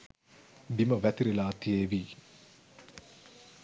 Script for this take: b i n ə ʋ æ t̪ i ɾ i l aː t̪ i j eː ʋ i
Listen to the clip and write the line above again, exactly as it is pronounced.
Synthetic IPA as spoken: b i m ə ʋ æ t̪ i ɾ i l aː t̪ i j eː ʋ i